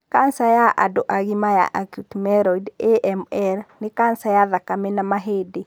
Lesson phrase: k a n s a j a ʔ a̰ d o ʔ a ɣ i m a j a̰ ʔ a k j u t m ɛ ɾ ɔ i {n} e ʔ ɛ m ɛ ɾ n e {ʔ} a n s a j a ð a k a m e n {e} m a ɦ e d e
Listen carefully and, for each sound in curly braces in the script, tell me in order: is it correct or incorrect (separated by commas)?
incorrect, incorrect, incorrect